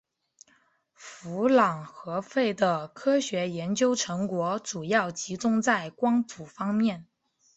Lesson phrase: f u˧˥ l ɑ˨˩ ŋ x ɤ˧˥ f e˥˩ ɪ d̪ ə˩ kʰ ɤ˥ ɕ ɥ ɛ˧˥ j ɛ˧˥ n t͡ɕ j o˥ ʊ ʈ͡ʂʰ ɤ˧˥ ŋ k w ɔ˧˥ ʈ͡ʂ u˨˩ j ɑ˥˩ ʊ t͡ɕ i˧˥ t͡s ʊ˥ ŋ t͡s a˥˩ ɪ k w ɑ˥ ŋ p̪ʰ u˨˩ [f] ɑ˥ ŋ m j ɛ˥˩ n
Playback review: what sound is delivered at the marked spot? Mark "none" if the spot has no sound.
f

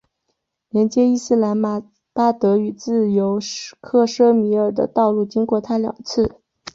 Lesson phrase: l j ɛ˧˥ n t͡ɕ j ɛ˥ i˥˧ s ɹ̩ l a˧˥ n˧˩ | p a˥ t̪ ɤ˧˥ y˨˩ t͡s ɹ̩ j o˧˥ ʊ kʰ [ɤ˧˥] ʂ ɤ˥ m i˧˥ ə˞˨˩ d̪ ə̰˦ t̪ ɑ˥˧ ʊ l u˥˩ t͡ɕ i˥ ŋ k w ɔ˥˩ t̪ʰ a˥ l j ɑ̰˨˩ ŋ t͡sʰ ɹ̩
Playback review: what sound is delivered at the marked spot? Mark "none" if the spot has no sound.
ɤ˥˩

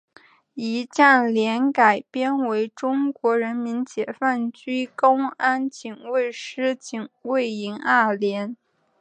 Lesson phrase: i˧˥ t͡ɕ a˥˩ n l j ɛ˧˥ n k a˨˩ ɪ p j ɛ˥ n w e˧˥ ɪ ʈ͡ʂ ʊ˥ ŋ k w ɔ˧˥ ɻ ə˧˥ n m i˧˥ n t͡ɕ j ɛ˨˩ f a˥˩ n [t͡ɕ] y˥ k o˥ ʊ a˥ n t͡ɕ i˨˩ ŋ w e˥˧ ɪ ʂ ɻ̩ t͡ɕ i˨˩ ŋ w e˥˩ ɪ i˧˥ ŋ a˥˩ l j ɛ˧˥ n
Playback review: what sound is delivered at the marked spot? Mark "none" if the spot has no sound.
t͡ɕ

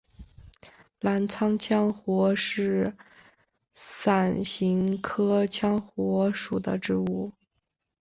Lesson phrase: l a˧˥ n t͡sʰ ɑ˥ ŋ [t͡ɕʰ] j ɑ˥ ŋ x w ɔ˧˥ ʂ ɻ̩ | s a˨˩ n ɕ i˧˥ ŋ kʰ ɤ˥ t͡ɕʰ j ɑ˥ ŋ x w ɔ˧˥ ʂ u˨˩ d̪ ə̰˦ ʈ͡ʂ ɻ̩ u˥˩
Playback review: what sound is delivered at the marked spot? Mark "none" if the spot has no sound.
t͡ɕʰ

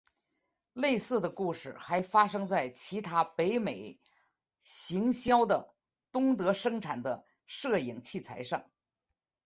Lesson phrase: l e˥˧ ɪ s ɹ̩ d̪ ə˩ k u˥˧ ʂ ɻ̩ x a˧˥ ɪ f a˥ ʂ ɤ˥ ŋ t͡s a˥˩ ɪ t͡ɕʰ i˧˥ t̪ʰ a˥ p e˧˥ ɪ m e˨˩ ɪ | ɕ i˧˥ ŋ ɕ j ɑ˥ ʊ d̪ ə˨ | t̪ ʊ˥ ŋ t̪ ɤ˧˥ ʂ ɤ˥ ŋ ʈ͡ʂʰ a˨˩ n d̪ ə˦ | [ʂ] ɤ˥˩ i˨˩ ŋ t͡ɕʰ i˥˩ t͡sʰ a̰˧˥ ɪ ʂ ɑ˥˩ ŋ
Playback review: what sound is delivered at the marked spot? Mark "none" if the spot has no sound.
ʂ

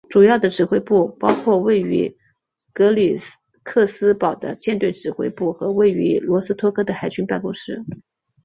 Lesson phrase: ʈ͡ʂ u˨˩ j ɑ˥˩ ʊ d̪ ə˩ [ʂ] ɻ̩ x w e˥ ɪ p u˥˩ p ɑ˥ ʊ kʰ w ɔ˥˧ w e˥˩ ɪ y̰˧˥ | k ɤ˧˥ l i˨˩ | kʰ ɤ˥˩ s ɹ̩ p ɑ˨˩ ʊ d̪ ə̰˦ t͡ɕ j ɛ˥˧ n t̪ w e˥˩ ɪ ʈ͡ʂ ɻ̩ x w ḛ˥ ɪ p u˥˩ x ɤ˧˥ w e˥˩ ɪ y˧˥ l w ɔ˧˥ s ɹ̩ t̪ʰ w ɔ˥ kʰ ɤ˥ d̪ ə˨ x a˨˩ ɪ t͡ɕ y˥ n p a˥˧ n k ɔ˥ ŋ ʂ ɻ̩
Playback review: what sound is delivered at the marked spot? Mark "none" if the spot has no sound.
ʈ͡ʂ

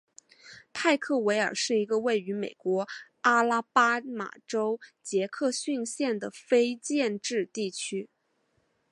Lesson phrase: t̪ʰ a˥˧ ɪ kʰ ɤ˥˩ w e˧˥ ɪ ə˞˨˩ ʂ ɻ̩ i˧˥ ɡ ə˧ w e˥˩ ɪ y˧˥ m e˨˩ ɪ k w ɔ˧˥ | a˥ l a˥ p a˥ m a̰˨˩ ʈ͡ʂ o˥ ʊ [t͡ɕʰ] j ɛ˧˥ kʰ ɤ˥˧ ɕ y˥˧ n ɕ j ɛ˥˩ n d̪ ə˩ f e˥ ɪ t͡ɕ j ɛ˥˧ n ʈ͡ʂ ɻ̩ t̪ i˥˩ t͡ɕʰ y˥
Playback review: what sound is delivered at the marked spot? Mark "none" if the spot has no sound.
t͡ɕ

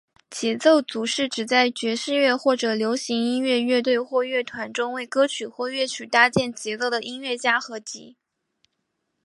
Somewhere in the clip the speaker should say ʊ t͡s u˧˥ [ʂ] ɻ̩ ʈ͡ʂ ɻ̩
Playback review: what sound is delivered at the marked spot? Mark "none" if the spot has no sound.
ʂ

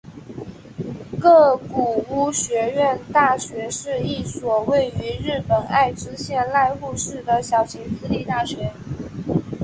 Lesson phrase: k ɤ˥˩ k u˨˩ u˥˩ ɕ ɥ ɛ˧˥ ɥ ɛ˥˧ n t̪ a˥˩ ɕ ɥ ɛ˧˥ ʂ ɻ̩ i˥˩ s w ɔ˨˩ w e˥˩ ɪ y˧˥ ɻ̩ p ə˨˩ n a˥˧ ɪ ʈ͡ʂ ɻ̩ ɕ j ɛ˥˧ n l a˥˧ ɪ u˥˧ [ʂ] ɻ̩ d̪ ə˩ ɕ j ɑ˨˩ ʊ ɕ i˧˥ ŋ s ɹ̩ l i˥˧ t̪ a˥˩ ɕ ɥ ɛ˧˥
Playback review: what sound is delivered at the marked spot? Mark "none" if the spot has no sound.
ʂ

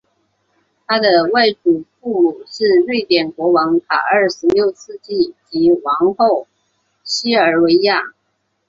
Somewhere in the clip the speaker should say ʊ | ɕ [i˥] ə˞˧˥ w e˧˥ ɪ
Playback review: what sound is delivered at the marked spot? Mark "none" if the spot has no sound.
i˥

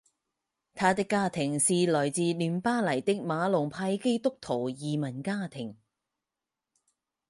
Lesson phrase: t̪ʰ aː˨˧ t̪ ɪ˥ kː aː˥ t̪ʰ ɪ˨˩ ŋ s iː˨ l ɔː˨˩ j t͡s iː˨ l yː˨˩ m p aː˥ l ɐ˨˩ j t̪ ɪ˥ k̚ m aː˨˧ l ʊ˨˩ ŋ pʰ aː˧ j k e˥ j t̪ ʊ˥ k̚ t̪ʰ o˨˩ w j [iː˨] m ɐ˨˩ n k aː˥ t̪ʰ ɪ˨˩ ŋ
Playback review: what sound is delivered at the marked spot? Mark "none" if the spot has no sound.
iː˨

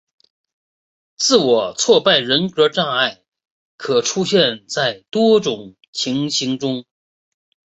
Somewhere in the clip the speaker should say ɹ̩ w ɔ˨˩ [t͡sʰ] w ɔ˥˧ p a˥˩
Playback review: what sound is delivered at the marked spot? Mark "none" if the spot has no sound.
t͡sʰ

